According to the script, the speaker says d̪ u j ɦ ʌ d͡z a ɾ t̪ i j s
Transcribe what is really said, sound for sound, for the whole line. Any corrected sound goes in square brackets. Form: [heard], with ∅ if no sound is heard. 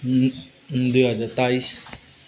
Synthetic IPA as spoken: d̪ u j ɦ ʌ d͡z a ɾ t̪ [a] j s